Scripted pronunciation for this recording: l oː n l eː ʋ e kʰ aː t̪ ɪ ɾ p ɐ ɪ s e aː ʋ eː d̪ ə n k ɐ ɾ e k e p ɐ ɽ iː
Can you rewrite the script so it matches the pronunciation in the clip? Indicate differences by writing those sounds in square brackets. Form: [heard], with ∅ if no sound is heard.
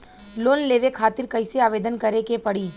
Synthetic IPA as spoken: l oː n l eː ʋ e kʰ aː t̪ ɪ ɾ [k] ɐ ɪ s e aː ʋ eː d̪ ə n k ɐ ɾ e k e p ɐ ɽ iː